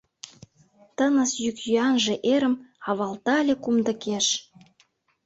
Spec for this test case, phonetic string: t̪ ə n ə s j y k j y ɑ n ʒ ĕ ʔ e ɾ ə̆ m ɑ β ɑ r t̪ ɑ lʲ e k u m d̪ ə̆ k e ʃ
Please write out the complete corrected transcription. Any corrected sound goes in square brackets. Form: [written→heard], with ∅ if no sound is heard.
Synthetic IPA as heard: t̪ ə n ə s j y k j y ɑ n ʒ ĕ ʔ e ɾ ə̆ m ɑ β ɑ [r→l] t̪ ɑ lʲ e k u m d̪ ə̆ k e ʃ